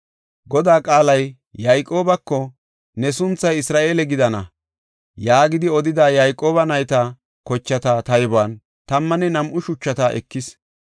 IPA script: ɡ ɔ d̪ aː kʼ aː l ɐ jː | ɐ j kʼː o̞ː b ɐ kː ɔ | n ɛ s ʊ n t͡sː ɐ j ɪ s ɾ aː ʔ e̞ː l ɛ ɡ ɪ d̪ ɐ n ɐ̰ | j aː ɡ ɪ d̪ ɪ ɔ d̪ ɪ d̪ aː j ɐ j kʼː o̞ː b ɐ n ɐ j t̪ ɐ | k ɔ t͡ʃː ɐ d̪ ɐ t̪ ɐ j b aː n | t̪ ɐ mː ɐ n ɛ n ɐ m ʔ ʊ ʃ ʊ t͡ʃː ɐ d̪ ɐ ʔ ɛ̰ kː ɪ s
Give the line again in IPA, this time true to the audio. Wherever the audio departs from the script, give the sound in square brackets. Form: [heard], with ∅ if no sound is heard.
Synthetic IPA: ɡ ɔ d̪ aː kʼ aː l ɐ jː | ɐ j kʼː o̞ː b ɐ kː ɔ | n ɛ s ʊ n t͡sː ɐ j ɪ s ɾ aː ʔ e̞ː l ɛ ɡ ɪ d̪ ɐ n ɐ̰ | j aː ɡ ɪ d̪ ɪ ɔ d̪ ɪ d̪ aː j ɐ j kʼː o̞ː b ɐ n ɐ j t̪ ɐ | k ɔ t͡ʃː ɐ [t̪] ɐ t̪ ɐ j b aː n | t̪ ɐ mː ɐ n ɛ n ɐ m ʔ ʊ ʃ ʊ t͡ʃː ɐ [t̪] ɐ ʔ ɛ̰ kː ɪ s